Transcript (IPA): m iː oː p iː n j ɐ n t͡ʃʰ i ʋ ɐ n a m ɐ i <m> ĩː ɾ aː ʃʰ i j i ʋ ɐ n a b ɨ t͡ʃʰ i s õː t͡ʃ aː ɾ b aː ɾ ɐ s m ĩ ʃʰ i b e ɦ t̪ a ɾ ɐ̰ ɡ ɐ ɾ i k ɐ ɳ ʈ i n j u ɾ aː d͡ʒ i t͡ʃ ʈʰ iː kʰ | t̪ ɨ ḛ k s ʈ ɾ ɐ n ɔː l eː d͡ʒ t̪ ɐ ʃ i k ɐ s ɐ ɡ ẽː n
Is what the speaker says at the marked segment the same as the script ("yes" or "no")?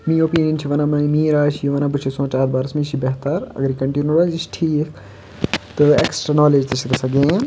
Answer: yes